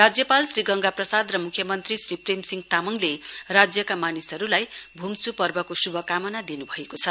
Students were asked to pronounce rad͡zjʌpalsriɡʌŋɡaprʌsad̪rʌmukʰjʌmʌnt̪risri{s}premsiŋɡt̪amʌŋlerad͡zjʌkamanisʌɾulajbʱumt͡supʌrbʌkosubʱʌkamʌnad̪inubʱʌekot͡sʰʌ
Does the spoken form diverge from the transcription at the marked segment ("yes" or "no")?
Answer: yes